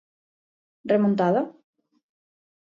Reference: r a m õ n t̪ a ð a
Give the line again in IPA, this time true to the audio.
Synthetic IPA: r e m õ n t̪ a ð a